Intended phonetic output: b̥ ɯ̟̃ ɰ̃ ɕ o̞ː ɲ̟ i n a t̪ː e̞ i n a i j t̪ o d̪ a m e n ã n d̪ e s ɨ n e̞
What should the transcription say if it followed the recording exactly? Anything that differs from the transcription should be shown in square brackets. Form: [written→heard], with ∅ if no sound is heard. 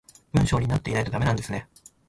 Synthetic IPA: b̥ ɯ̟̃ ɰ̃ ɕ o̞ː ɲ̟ i n a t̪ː e̞ i n a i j t̪ o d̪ a m e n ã n d̪ e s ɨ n e̞